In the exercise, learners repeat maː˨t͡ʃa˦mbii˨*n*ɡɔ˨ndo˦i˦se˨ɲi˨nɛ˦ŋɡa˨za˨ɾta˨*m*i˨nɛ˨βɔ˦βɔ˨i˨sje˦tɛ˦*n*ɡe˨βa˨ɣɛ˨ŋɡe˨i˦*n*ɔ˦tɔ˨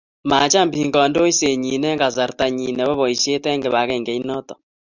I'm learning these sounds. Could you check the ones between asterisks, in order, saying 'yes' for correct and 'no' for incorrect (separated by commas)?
no, no, no, yes